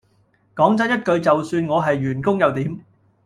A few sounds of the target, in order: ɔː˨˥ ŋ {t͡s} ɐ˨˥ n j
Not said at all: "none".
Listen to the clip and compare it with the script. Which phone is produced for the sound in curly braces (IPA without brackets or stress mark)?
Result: t͡s